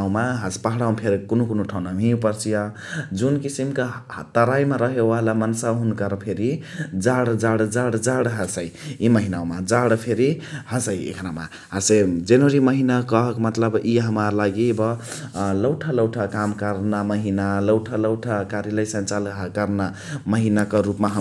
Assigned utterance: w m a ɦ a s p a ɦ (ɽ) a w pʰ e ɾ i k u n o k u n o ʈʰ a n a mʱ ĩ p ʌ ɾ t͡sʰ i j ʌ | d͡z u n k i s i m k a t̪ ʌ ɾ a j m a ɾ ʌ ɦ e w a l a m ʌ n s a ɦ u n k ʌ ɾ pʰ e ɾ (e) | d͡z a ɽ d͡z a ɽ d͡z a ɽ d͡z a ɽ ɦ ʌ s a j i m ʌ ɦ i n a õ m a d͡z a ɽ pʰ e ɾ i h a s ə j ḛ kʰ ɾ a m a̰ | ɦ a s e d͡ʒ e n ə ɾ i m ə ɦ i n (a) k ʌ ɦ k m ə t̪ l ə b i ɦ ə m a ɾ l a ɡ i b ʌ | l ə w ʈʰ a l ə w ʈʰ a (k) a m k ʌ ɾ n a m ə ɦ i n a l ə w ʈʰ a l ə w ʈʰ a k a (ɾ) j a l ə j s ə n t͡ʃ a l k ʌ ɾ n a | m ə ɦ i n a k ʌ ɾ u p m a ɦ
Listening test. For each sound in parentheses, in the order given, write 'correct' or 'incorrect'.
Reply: correct, incorrect: i, correct, correct, correct

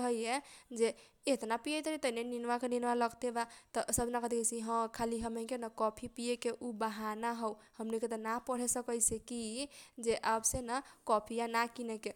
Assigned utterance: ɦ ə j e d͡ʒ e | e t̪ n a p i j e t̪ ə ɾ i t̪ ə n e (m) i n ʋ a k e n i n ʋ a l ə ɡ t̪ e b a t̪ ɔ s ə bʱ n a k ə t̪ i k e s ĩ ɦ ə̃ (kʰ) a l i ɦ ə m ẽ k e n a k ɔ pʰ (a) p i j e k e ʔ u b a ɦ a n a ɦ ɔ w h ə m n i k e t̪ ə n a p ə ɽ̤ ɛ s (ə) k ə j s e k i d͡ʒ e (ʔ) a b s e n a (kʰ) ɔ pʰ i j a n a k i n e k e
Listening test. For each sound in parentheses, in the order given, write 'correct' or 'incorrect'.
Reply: incorrect: n, correct, incorrect: i, correct, correct, incorrect: k

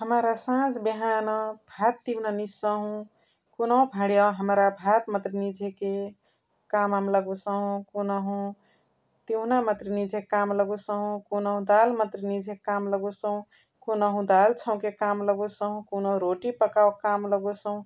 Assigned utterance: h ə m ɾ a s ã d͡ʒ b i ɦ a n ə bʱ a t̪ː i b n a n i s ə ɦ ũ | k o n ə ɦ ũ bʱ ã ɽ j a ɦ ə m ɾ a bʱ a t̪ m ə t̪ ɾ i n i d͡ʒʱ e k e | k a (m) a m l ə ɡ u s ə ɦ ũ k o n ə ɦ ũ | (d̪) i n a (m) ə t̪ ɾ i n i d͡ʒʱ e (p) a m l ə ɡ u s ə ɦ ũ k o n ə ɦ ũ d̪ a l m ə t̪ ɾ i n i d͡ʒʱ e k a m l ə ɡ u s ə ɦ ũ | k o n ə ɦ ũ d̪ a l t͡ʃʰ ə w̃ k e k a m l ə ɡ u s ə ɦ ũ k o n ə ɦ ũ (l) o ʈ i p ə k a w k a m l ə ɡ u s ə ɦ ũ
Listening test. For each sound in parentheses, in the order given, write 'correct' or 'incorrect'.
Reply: correct, incorrect: t̪, correct, incorrect: k, incorrect: ɾ

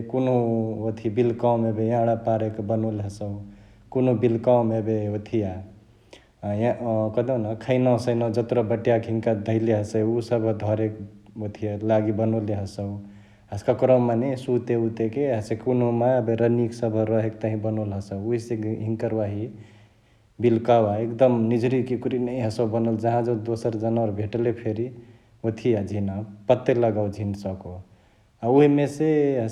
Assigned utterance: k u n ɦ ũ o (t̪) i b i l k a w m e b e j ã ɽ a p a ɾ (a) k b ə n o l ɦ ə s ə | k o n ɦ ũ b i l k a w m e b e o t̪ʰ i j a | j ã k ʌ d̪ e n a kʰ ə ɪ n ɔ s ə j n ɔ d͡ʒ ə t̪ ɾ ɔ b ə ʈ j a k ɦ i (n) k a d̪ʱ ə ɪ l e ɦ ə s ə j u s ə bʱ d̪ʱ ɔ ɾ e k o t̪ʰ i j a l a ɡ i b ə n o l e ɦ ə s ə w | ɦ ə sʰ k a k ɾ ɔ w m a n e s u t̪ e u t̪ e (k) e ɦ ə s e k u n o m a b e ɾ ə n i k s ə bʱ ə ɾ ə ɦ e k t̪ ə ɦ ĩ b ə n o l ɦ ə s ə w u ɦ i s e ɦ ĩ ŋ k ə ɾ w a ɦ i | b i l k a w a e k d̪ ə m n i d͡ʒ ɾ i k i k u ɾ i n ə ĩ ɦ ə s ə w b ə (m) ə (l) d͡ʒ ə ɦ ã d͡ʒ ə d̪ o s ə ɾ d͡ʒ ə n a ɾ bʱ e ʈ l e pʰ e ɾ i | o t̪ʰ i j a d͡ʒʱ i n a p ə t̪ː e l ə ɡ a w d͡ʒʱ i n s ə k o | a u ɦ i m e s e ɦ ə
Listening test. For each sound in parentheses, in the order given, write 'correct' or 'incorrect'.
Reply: incorrect: t̪ʰ, incorrect: e, incorrect: ŋ, correct, incorrect: n, correct

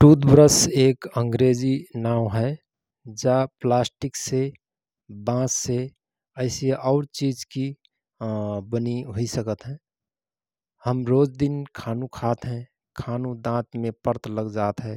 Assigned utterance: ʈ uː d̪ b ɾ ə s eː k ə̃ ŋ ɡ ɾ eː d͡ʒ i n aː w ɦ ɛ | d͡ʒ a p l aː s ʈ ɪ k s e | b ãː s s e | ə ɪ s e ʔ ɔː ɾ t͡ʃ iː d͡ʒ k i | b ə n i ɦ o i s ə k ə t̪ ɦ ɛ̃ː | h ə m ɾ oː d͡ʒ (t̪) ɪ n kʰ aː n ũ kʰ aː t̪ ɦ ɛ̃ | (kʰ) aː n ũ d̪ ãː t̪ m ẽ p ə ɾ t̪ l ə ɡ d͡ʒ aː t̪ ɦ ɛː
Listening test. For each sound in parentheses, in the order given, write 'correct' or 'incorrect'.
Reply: incorrect: d̪, correct

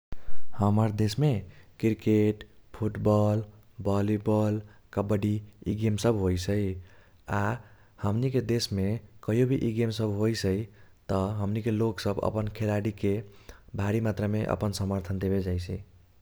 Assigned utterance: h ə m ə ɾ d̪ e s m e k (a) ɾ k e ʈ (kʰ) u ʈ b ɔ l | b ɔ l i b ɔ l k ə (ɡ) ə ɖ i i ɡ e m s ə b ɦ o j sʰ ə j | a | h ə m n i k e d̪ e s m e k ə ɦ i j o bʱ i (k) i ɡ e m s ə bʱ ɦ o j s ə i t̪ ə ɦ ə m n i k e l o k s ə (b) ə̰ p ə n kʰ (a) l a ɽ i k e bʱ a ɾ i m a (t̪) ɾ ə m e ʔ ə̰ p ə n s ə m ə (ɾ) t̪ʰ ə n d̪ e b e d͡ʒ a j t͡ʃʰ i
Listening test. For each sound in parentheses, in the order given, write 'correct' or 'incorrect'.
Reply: incorrect: i, incorrect: pʰ, incorrect: b, incorrect: ʔ, correct, incorrect: e, correct, correct

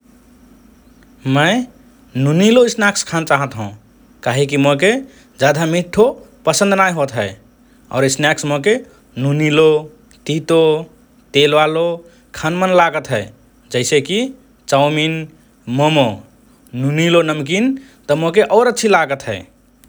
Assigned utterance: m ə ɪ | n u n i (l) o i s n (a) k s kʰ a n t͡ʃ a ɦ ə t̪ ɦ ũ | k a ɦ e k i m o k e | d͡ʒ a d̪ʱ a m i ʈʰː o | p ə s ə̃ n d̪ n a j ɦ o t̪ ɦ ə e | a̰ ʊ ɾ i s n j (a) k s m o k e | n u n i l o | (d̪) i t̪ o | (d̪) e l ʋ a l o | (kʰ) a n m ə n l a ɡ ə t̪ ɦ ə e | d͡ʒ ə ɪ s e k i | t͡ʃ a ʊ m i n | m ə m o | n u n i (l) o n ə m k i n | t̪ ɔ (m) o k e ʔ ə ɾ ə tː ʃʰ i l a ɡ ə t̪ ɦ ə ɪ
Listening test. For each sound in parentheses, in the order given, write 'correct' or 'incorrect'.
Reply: correct, correct, correct, incorrect: t̪, incorrect: t̪, correct, correct, correct

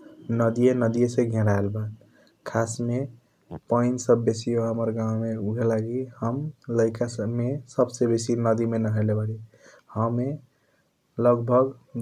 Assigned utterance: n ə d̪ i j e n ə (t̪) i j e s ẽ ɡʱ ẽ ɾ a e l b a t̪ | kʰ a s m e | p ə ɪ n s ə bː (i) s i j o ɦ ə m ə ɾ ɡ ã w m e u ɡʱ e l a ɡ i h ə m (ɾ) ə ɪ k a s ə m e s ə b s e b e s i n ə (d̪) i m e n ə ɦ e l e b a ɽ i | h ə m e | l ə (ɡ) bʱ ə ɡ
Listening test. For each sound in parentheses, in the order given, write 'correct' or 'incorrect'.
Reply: incorrect: d̪, incorrect: e, incorrect: l, correct, correct

